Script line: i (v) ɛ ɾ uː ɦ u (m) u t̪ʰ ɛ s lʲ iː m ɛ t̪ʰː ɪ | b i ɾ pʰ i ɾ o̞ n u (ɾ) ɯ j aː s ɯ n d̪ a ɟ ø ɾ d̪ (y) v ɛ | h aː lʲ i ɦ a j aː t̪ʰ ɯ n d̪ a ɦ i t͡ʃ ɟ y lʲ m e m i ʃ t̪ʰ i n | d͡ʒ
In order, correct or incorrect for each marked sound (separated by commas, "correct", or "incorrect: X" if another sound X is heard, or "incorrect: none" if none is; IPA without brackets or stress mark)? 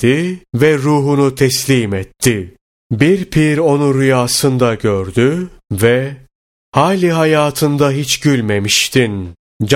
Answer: correct, incorrect: n, correct, correct